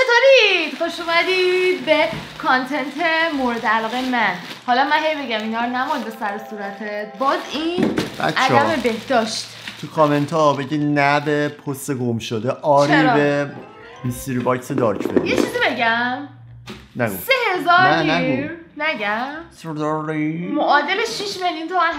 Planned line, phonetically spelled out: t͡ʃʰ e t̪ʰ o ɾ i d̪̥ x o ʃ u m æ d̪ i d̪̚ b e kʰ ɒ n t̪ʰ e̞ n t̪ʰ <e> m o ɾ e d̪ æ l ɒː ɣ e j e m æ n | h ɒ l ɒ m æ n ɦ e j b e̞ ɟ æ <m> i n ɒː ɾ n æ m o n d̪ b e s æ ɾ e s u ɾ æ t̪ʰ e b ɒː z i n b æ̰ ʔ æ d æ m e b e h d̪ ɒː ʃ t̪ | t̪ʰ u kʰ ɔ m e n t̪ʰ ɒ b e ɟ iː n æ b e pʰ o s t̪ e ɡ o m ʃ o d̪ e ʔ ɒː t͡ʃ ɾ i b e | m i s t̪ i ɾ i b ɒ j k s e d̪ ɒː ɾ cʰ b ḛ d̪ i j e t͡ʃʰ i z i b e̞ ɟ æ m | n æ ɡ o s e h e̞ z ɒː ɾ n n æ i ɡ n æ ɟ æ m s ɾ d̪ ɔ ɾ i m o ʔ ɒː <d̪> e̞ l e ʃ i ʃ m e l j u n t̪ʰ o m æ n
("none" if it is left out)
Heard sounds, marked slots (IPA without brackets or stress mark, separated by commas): e, m, d̪